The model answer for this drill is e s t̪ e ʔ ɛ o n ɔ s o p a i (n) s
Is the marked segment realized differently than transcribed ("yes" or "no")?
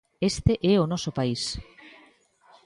yes